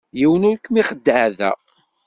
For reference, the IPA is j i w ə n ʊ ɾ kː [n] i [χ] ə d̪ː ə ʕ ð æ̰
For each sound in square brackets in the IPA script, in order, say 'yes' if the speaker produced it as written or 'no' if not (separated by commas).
no, yes